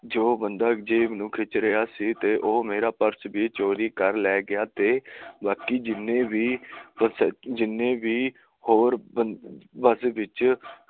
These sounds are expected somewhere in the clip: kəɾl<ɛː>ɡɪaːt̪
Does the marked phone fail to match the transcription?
no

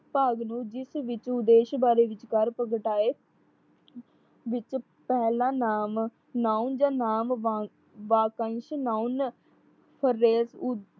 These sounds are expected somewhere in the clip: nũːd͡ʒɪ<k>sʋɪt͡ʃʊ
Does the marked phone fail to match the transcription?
yes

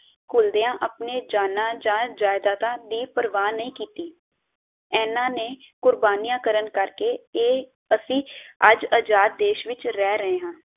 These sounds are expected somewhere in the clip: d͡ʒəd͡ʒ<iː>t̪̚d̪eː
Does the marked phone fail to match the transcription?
yes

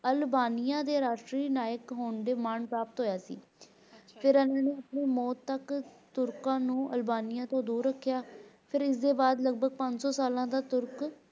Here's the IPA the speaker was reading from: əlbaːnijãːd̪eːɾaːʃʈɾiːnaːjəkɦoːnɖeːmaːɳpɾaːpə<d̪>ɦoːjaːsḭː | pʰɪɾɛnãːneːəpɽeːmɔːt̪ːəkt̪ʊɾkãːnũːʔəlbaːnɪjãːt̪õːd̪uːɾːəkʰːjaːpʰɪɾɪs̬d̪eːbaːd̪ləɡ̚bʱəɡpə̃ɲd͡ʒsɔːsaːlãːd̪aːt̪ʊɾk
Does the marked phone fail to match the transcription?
yes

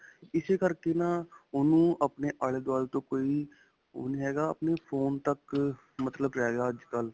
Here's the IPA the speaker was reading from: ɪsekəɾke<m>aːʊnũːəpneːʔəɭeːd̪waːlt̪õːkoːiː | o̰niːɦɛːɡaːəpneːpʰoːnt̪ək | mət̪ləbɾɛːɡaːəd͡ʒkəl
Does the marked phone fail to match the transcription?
yes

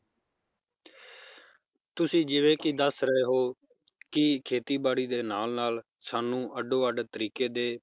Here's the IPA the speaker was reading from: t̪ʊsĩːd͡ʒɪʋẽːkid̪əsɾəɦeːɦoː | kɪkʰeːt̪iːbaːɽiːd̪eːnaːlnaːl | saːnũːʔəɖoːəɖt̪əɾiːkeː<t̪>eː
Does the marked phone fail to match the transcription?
yes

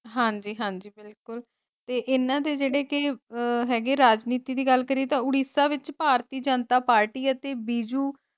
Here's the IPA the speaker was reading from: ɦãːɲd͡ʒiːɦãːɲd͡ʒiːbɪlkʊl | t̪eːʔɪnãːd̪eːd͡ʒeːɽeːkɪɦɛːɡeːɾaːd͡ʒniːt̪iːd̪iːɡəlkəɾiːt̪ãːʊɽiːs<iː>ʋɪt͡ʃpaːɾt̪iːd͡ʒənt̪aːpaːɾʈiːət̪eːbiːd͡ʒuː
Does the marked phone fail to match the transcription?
yes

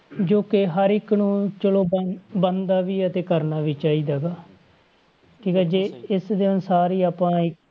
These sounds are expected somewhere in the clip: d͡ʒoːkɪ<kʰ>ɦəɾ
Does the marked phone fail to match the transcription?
yes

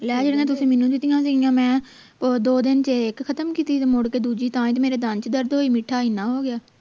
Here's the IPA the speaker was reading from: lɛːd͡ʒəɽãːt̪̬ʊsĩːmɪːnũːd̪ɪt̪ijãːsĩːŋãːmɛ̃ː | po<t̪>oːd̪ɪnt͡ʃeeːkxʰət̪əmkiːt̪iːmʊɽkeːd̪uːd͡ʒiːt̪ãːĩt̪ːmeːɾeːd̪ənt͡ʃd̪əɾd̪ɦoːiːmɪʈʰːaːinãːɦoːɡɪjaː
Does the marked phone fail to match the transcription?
yes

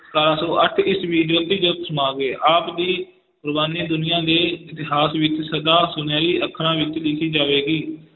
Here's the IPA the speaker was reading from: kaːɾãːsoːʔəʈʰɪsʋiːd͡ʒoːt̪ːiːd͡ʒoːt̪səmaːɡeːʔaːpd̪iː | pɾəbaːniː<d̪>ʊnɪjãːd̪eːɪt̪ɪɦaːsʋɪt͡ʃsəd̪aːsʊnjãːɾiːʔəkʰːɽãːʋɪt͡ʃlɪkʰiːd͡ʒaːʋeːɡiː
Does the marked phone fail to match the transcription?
no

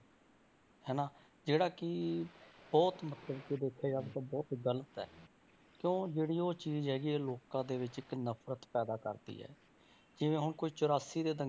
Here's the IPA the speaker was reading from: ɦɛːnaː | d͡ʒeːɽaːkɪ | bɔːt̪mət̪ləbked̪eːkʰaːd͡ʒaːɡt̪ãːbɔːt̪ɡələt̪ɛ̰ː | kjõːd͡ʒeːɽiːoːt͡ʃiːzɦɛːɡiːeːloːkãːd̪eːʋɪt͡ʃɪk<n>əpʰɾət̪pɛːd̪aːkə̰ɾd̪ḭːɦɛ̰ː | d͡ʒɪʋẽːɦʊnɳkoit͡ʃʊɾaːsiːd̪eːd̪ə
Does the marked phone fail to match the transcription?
no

